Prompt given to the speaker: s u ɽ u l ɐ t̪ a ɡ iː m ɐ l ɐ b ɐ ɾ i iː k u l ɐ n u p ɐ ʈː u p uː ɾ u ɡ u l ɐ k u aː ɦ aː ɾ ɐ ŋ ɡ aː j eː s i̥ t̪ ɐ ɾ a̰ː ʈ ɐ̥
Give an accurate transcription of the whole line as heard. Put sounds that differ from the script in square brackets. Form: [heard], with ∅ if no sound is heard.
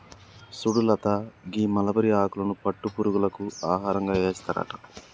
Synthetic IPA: s u ɽ u l ɐ t̪ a ɡ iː m ɐ l ɐ b ɐ ɾ i [aː] k u l ɐ n u p ɐ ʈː u p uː ɾ u ɡ u l ɐ k u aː ɦ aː ɾ ɐ ŋ ɡ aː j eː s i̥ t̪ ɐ ɾ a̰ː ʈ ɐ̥